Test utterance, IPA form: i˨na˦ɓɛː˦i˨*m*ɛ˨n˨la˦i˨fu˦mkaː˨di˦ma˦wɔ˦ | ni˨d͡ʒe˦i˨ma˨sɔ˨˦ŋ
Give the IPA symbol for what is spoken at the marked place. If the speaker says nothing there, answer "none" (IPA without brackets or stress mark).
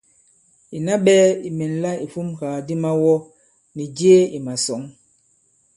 m